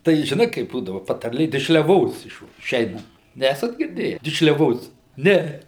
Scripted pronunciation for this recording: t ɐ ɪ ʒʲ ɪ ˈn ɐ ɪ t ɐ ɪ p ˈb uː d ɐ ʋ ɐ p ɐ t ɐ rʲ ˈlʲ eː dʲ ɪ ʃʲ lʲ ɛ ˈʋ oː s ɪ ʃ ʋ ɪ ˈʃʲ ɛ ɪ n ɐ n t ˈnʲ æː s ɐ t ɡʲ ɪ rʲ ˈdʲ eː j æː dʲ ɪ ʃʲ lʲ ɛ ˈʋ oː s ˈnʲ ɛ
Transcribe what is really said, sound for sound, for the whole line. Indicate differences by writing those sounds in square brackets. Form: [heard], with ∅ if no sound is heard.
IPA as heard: t ɐ ɪ ʒʲ ɪ ˈn ɐ ɪ [k] ɐ ɪ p ˈb uː d ɐ ʋ ɐ p ɐ t ɐ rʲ ˈlʲ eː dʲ ɪ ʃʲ lʲ ɛ ˈʋ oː s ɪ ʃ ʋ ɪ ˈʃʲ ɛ ɪ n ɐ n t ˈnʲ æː s ɐ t ɡʲ ɪ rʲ ˈdʲ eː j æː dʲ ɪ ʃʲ lʲ ɛ ˈʋ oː s ˈnʲ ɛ